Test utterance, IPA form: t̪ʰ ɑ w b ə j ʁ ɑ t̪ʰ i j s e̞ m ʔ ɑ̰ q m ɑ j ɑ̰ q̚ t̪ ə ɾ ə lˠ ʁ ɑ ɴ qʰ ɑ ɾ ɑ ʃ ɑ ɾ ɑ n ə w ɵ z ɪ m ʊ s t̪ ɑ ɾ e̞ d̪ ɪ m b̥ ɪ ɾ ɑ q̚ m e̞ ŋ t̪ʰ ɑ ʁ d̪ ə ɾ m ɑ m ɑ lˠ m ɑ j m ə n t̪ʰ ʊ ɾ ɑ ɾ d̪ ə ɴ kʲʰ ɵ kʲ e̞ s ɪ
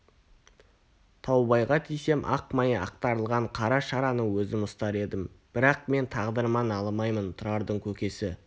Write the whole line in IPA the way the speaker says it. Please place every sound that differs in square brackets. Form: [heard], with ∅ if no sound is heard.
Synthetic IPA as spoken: t̪ʰ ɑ w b [ɑ] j ʁ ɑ t̪ʰ i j s e̞ m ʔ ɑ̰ q m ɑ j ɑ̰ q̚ t̪ [ɑ] ɾ ə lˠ ʁ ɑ ɴ qʰ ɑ ɾ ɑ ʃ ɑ ɾ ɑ n ə w ɵ z ɪ m ʊ s t̪ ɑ ɾ e̞ d̪ ɪ m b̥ ɪ ɾ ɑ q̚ m e̞ [n] t̪ʰ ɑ ʁ d̪ ə ɾ m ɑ [n] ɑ lˠ m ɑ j m ə n t̪ʰ ʊ ɾ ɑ ɾ d̪ ə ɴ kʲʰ ɵ kʲ e̞ s ɪ